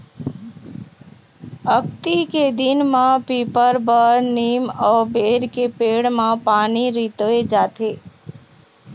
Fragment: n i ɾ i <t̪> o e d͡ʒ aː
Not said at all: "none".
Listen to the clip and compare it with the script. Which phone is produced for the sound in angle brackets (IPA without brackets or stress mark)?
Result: t̪